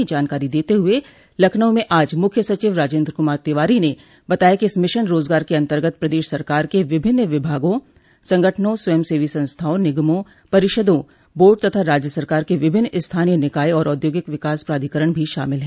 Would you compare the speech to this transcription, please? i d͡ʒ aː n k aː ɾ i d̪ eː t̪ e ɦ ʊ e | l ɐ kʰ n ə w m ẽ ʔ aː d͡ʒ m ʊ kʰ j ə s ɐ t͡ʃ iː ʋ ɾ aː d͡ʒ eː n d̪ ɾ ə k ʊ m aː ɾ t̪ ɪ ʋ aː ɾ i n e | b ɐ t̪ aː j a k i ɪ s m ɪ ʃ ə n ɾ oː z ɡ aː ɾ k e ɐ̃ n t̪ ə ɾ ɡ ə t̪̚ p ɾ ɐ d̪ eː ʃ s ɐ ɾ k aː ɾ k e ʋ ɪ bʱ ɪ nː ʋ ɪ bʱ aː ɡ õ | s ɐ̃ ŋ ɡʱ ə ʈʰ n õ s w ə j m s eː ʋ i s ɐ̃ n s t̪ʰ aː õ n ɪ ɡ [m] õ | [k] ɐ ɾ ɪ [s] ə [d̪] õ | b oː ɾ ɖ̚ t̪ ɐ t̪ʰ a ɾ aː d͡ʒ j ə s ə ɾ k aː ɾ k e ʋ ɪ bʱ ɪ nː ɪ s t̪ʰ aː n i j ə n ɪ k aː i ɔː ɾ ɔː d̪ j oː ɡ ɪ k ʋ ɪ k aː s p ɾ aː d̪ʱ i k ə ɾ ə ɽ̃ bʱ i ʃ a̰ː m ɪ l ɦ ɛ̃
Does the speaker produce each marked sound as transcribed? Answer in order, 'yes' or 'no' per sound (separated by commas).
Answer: yes, no, no, yes